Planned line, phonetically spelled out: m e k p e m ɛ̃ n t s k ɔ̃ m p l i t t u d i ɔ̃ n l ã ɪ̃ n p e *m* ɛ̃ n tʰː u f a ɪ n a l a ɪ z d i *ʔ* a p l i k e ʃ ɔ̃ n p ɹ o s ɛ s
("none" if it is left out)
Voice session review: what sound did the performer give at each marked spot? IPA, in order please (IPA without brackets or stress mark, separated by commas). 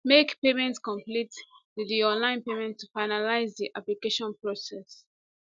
m, ʔ